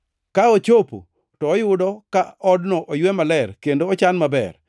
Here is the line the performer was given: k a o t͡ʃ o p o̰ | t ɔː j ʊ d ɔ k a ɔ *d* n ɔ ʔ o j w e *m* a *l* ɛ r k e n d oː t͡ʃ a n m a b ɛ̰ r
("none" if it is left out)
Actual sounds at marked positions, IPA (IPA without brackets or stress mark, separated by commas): d, m, l